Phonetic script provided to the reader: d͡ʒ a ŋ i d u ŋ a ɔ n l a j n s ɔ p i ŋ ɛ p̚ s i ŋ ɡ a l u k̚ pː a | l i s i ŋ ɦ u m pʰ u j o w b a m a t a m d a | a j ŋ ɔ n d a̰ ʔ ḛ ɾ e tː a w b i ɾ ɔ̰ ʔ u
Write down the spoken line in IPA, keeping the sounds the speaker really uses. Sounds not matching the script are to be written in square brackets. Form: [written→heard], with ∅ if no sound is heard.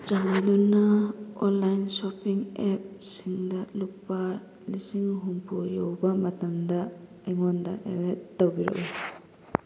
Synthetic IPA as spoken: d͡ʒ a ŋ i d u [ŋ→n] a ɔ n l a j n s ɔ p i ŋ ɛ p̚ s i ŋ [ɡ→d] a l u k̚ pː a | l i s i ŋ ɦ u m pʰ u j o w b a m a t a m d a | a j ŋ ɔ n d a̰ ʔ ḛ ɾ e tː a w b i ɾ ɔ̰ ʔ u